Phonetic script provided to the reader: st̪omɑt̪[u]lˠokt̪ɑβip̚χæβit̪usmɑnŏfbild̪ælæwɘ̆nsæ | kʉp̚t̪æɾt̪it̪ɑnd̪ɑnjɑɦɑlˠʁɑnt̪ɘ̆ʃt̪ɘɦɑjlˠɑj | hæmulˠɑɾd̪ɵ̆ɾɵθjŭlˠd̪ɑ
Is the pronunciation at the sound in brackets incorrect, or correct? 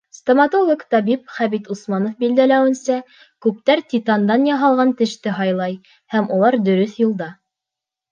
incorrect: o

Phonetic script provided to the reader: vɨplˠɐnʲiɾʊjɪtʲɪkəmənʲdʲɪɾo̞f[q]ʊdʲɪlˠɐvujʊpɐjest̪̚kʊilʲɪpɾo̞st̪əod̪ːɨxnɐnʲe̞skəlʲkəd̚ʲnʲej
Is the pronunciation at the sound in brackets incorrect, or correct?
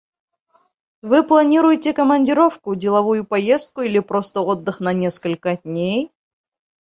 incorrect: k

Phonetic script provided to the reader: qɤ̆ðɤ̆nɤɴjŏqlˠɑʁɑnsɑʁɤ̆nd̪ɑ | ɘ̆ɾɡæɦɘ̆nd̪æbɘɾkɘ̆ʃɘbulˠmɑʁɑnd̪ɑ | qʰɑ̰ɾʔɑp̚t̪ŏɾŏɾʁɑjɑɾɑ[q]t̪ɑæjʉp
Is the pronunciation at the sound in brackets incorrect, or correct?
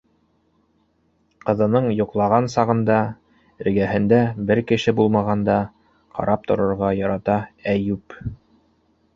incorrect: none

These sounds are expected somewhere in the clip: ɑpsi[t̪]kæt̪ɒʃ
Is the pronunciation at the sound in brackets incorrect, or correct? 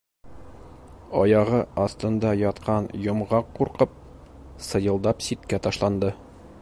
correct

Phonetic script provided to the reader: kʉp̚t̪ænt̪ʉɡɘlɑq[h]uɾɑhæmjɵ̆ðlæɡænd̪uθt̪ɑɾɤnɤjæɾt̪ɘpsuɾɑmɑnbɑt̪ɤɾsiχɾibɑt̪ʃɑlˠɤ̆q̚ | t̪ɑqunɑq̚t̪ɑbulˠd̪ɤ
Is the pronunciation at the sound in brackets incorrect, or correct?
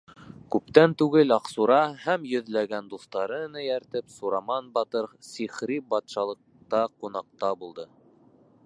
incorrect: s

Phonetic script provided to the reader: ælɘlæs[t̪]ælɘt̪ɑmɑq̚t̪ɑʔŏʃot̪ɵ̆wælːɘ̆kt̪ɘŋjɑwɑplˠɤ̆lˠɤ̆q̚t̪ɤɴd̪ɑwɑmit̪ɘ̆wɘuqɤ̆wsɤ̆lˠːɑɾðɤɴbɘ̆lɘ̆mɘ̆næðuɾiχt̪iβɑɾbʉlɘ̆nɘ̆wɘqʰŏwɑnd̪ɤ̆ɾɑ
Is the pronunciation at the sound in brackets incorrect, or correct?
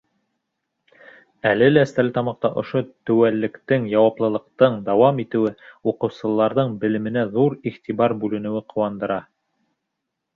correct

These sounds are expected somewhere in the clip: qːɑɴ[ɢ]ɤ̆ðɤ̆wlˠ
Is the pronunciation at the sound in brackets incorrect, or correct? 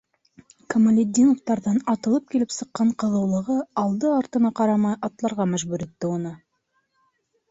incorrect: q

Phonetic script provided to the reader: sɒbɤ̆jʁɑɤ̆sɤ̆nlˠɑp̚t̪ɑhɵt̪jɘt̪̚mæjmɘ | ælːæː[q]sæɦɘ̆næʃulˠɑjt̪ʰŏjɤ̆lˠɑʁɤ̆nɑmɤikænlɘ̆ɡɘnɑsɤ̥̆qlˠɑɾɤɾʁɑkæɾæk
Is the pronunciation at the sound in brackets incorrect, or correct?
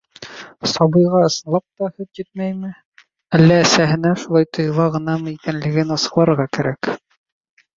incorrect: none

